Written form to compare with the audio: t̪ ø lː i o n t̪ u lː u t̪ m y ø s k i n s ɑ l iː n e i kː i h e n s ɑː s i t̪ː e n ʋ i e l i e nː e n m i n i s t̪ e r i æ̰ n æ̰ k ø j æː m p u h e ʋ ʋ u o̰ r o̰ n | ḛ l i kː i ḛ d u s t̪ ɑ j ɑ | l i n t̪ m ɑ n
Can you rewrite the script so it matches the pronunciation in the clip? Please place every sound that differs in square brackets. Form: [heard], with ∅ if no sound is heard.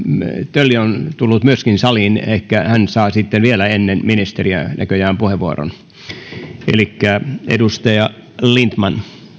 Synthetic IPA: t̪ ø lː i o n t̪ u lː u t̪ m y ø s k i n s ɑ l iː n e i kː [æ] h [æ] n s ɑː s i t̪ː e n ʋ i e l [æ] e nː e n m i n i s t̪ e r i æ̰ n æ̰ k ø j æː m p u h e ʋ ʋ u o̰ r o̰ n | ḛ l i kː [æ] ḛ d u s t̪ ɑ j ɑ | l i n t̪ m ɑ n